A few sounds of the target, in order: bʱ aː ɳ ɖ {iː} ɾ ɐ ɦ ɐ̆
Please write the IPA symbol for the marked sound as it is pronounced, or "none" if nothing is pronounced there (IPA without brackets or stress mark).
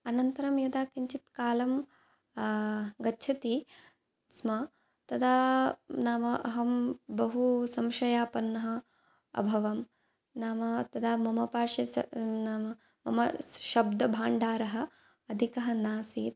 aː